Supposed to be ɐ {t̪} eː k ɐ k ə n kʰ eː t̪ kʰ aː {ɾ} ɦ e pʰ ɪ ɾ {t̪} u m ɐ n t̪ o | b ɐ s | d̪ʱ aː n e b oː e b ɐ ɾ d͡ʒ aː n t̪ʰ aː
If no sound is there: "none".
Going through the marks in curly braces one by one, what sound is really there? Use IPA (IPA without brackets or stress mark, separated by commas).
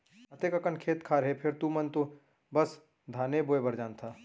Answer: t̪, ɾ, t̪